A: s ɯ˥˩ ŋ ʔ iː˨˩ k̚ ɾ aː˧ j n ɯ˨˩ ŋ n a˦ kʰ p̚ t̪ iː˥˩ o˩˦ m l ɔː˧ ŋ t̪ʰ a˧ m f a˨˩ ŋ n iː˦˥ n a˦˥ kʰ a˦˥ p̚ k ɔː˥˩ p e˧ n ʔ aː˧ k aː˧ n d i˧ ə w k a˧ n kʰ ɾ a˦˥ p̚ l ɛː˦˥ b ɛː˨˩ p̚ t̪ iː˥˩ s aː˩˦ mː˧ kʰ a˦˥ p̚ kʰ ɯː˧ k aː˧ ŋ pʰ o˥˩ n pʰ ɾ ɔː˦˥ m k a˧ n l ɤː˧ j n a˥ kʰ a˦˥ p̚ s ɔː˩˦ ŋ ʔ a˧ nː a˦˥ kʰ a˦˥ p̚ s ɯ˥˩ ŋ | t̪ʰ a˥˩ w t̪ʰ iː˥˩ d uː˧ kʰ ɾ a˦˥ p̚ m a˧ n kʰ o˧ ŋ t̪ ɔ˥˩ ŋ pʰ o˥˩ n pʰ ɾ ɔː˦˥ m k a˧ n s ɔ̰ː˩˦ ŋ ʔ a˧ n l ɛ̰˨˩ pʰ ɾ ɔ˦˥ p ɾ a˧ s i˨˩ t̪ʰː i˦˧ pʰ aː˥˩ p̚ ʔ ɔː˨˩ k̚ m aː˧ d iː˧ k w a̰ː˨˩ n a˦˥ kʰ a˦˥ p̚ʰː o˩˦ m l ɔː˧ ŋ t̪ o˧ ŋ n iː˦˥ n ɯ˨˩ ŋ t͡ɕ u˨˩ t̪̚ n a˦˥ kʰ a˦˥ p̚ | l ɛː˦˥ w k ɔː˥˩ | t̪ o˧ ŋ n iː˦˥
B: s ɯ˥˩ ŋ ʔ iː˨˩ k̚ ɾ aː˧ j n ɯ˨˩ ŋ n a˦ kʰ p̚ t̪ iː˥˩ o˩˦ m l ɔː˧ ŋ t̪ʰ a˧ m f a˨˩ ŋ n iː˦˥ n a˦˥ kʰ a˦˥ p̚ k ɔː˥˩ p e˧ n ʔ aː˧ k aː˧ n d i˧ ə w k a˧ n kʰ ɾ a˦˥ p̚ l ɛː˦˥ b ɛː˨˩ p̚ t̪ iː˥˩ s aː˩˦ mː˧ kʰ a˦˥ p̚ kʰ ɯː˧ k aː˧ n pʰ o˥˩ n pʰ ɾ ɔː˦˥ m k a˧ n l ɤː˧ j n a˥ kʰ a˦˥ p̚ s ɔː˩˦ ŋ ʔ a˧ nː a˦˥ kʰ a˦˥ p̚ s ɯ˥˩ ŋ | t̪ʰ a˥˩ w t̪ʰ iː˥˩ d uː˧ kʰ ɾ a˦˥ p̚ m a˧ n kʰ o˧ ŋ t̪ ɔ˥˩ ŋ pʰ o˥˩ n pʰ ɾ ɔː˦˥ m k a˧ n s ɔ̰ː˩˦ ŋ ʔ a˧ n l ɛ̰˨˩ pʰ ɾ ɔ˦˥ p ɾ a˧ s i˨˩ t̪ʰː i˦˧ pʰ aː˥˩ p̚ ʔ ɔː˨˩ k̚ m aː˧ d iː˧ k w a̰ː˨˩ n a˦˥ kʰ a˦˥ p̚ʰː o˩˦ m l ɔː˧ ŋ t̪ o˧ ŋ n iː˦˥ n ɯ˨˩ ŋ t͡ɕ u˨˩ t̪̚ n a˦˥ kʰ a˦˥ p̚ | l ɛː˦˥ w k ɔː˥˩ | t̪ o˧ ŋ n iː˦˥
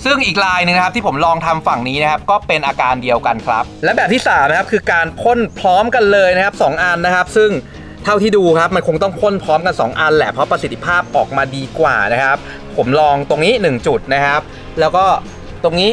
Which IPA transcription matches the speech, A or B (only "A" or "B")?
B